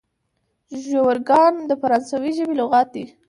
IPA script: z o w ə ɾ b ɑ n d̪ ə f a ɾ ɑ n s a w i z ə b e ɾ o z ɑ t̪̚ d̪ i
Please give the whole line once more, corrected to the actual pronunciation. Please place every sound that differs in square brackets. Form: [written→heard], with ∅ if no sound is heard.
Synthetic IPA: [z→ʒ] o w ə ɾ [b→ɡ] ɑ n d̪ ə f a ɾ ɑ n s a w i [z→ʒ] ə b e [ɾ→l] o [z→ɣ] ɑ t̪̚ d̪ i